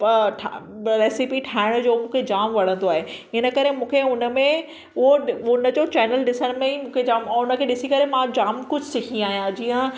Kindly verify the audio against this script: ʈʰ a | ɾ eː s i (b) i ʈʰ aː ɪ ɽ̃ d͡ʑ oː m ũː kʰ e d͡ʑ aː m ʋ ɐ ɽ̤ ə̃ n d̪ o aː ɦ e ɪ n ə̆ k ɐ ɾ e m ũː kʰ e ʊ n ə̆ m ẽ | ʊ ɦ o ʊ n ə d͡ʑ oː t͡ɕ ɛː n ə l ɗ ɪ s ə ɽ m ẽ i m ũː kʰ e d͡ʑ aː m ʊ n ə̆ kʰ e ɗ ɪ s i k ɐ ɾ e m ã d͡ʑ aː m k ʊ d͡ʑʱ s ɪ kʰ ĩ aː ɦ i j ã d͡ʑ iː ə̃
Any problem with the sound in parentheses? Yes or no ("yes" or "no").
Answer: yes